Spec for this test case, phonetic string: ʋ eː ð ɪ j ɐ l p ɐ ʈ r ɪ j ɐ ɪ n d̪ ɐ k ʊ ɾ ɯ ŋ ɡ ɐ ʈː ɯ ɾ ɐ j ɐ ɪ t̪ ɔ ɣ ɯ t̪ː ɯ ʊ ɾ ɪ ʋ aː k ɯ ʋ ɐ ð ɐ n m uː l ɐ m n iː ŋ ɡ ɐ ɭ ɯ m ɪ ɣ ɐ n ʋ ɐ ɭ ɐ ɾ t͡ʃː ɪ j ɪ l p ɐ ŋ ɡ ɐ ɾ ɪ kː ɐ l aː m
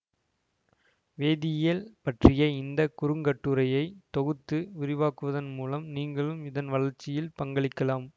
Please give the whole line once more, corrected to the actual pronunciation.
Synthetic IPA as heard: ʋ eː ð ɪ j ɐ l p ɐ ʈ r ɪ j ɐ ɪ n d̪ ɐ k ʊ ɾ ɯ ŋ ɡ ɐ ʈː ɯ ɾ ɐ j ɐ ɪ t̪ ɔ ɣ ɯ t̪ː ɯ ʊ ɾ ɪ ʋ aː k ɯ ʋ ɐ ð ɐ n m uː l ɐ m n iː ŋ ɡ ɐ ɭ ɯ m ɪ ð ɐ n ʋ ɐ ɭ ɐ ɾ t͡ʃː ɪ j ɪ l p ɐ ŋ ɡ ɐ ɭ ɪ kː ɐ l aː m